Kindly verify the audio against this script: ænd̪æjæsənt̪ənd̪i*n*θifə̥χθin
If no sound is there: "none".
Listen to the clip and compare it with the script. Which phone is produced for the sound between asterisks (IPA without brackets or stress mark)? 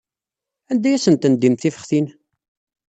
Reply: m